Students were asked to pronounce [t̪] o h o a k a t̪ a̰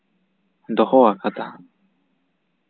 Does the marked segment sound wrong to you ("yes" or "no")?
yes